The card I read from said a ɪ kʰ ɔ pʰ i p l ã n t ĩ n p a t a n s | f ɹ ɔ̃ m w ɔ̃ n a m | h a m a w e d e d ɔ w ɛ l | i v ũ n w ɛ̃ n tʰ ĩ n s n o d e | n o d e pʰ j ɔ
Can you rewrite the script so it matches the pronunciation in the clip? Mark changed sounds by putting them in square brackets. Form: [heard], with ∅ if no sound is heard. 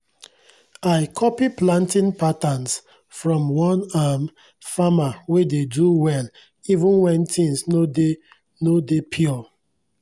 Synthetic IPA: a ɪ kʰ ɔ [p] i p l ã n t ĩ n p a t a n s | f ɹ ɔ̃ m w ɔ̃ n a m | [f] a m a w e d e d [u] w ɛ l | i v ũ n w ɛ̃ n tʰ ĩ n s n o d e | n o d e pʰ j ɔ